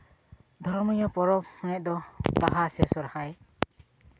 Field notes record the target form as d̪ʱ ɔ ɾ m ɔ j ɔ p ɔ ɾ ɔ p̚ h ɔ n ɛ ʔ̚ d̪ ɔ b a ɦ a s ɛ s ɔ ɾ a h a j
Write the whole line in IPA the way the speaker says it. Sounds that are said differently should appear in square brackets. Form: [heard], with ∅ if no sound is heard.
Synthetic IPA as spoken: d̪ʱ ɔ ɾ m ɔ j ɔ p ɔ ɾ ɔ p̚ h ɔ n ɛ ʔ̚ d̪ ɔ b a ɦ a s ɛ s ɔ ɾ a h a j